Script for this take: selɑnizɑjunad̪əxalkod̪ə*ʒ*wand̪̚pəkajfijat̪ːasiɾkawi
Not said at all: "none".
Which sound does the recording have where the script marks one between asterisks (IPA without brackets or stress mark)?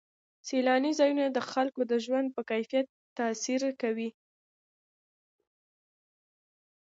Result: ʒ